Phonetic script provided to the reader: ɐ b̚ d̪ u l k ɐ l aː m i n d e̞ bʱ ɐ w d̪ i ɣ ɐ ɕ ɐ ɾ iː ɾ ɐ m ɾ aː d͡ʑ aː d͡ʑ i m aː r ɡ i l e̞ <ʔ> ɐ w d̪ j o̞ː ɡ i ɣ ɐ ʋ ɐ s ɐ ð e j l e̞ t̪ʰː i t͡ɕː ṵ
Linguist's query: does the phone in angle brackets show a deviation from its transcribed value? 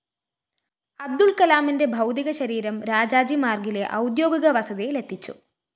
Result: no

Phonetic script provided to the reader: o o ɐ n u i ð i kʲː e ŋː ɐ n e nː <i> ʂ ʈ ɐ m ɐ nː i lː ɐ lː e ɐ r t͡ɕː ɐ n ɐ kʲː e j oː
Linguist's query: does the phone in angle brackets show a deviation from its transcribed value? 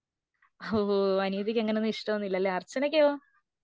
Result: no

